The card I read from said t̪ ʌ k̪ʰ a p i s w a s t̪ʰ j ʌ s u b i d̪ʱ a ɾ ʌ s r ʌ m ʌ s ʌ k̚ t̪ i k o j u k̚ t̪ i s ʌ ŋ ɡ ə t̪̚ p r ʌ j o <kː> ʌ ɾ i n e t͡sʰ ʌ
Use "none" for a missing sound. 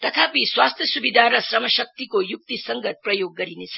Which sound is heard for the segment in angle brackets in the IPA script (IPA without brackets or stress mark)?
ɡː